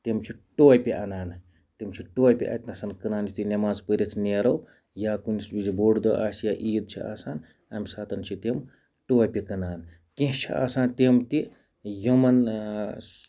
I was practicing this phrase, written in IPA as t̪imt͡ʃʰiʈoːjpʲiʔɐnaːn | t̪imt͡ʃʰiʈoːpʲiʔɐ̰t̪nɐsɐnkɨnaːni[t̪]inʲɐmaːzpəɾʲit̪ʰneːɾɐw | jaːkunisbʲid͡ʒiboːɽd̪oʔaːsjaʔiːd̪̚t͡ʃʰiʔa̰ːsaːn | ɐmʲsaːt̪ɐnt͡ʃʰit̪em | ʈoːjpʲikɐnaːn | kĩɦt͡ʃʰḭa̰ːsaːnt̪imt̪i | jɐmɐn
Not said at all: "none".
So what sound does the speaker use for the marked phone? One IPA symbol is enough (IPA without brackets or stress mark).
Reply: t̪